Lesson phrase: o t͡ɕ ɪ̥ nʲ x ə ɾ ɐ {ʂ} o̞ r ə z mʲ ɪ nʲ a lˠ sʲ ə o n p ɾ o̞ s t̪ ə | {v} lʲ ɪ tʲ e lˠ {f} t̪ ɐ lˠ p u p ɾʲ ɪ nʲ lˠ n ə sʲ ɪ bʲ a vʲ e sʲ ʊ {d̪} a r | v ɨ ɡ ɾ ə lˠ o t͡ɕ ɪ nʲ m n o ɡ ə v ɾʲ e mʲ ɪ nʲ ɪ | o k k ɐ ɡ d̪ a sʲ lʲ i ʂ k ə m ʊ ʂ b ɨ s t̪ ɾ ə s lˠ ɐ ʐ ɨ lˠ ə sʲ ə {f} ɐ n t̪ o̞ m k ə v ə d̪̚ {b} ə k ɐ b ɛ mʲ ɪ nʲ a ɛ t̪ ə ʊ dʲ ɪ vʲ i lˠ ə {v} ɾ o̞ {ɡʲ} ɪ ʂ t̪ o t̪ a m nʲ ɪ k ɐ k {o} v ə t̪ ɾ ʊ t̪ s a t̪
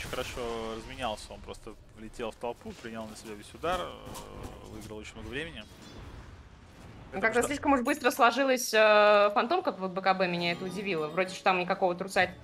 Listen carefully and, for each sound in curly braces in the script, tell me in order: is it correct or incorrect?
correct, correct, correct, correct, correct, correct, correct, incorrect: dʲ, correct

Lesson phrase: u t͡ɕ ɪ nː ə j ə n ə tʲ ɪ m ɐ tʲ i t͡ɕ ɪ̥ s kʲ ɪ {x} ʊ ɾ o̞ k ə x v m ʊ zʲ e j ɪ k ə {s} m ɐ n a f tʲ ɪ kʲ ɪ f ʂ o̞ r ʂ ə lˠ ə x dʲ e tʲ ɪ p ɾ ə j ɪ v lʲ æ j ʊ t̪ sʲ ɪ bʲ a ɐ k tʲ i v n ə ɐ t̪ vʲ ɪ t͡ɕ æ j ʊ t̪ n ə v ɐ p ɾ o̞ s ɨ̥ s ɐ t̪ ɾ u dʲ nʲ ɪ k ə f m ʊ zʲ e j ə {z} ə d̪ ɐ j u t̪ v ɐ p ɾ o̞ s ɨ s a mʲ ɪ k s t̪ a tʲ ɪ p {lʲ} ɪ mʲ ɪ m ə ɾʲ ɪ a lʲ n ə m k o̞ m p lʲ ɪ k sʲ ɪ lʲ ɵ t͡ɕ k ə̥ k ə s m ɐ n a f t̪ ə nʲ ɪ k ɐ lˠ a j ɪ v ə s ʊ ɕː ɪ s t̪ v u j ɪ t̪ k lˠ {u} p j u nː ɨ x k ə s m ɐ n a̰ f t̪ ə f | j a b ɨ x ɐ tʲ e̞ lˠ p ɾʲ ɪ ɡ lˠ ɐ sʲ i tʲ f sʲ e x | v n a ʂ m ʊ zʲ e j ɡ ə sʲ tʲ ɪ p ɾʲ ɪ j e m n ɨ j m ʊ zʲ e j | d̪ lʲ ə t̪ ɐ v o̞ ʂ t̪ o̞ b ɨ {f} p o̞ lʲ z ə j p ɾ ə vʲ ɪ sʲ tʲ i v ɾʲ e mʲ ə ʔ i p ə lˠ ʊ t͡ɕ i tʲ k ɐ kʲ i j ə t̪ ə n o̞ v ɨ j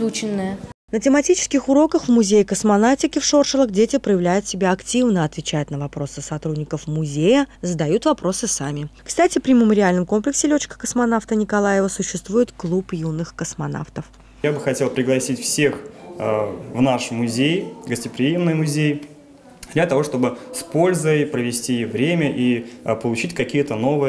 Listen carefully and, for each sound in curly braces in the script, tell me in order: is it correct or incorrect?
correct, correct, correct, incorrect: ɾʲ, correct, incorrect: s

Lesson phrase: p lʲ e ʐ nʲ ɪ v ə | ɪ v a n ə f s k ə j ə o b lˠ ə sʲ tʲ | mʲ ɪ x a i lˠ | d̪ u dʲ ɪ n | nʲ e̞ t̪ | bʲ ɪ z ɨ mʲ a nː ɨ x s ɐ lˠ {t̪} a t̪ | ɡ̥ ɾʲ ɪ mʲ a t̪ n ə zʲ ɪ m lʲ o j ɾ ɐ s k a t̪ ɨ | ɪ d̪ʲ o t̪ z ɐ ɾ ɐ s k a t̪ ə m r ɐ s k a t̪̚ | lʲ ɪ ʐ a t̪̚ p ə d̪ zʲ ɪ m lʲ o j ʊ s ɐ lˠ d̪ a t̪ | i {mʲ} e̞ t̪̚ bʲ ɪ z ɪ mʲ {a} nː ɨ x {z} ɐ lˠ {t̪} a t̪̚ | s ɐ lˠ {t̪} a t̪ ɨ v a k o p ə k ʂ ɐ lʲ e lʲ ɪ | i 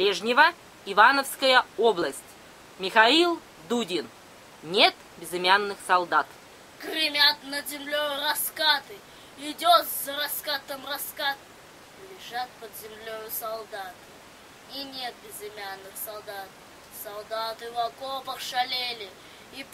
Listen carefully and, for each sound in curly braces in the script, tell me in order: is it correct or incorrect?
incorrect: d̪, incorrect: nʲ, correct, incorrect: s, incorrect: d̪, incorrect: d̪

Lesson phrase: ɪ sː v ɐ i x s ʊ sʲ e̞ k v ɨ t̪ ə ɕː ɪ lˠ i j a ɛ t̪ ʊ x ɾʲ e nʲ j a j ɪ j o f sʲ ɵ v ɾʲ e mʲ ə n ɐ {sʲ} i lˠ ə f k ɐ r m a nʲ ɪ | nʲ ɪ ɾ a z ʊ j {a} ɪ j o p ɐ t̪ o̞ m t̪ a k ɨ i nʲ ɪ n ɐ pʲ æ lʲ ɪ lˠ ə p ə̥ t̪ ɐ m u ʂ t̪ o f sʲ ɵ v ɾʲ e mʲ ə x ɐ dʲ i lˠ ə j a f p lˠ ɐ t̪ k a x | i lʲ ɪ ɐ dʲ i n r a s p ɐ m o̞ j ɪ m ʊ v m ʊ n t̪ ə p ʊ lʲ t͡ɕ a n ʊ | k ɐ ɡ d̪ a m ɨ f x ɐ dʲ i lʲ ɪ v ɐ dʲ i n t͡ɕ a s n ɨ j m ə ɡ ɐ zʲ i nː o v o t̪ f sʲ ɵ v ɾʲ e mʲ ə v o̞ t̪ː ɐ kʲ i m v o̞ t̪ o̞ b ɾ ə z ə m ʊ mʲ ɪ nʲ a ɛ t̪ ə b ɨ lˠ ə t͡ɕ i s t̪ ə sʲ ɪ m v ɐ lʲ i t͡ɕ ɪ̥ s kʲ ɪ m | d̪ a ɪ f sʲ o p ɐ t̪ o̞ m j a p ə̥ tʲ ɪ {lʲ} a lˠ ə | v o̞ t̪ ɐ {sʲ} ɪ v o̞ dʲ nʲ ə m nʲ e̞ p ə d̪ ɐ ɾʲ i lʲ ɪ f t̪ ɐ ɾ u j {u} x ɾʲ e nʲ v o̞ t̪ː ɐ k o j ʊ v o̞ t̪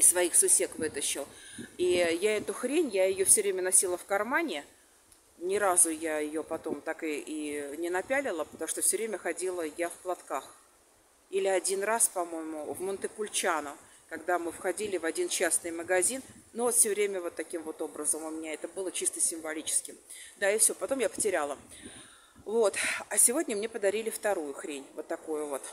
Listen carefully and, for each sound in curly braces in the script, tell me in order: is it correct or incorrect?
correct, correct, incorrect: ɾʲ, correct, incorrect: ʊ

